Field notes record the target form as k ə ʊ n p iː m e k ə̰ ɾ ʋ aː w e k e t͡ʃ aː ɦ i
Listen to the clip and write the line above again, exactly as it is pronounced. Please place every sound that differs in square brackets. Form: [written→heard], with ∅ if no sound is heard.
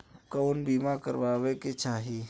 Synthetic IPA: k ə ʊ n [p→b] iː m [e→a] k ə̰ ɾ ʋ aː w e k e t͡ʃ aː ɦ i